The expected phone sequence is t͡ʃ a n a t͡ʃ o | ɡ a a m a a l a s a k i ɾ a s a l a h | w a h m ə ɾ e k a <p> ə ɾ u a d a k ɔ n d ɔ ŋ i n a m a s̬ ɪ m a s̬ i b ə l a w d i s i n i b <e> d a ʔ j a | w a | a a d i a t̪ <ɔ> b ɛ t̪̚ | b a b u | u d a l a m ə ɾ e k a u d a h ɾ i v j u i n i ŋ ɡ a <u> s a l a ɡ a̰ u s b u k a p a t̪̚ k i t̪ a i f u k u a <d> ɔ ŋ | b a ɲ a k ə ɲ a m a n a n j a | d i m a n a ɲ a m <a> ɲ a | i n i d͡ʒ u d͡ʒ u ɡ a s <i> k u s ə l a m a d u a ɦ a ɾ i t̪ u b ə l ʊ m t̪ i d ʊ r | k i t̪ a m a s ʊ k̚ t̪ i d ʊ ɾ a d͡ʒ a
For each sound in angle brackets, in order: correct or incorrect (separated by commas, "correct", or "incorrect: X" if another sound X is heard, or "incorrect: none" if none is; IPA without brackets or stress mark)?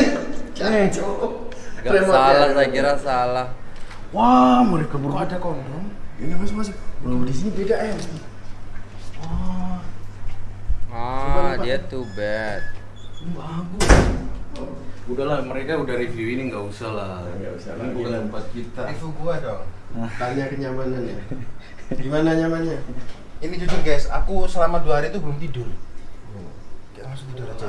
incorrect: b, correct, incorrect: u, correct, correct, correct, incorrect: a